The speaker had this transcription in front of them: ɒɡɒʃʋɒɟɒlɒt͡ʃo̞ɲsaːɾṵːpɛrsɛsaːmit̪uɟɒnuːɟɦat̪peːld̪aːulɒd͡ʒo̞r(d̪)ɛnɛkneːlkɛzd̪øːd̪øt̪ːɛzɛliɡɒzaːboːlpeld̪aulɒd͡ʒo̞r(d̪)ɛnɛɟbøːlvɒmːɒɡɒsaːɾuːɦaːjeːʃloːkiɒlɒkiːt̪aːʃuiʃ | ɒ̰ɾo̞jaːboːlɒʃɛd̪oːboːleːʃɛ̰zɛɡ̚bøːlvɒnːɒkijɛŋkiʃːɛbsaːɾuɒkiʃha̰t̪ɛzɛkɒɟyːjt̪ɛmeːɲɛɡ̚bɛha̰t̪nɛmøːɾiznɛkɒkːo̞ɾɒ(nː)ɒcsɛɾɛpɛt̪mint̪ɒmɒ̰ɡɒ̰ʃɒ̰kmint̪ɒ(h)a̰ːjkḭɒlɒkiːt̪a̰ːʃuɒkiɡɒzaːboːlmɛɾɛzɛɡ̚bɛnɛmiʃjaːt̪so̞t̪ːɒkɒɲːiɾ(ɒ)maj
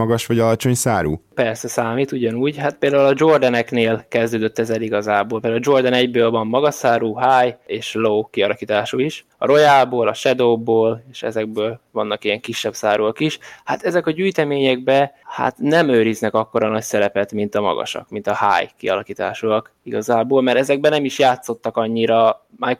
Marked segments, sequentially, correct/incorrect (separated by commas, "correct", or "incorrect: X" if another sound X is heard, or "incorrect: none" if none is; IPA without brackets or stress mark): correct, correct, incorrect: n, correct, correct